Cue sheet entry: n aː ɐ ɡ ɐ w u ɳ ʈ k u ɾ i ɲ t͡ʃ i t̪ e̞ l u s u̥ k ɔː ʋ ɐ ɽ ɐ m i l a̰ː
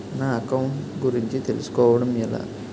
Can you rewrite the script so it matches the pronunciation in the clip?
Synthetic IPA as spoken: n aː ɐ k ɐ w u ɳ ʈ ɡ u ɾ i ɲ t͡ʃ i t̪ e̞ l u s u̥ k ɔː ʋ ɐ ɽ ɐ m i l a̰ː